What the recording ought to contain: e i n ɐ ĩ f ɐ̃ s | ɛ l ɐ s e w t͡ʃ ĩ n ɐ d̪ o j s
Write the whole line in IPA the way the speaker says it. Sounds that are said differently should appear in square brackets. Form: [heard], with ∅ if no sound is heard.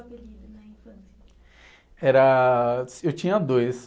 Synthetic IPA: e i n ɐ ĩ f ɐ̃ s | ɛ [ɾ] ɐ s e w t͡ʃ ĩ [ɲ] ɐ d̪ o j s

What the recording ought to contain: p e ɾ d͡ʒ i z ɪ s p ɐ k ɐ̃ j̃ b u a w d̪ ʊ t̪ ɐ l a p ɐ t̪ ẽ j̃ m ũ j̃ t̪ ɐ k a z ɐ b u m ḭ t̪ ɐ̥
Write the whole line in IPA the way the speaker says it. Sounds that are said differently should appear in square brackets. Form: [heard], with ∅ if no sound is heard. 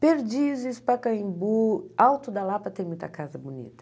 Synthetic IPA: p e ɾ d͡ʒ i z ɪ s p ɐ k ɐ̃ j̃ b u a w [t̪] ʊ [d̪] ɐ l a p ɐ t̪ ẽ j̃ m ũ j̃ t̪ ɐ k a z ɐ b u [n] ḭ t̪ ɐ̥

